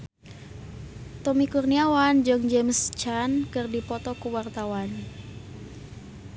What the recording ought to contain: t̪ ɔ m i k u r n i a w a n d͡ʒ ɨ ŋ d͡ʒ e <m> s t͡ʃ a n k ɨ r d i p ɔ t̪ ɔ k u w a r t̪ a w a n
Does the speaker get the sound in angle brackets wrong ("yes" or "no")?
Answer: no